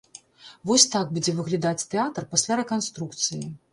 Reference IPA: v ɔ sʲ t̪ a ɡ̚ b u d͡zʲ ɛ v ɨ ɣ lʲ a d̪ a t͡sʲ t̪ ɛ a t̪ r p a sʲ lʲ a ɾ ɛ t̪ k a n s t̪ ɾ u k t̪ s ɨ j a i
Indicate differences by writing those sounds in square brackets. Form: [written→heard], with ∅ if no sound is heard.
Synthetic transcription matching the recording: v ɔ sʲ t̪ a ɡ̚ b u d͡zʲ ɛ v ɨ ɣ lʲ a d̪ a t͡sʲ t̪ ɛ a t̪ r p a sʲ lʲ a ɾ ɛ [t̪→∅] k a n s t̪ ɾ u k t̪ s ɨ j [a→i] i